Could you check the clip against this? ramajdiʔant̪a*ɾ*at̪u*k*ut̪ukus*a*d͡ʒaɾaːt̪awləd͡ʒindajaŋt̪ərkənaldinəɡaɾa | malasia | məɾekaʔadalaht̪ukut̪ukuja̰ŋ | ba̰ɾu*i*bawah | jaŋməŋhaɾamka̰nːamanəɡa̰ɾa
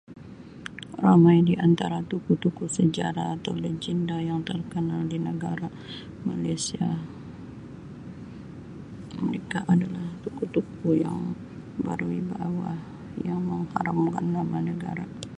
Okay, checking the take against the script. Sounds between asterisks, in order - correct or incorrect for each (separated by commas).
correct, correct, incorrect, correct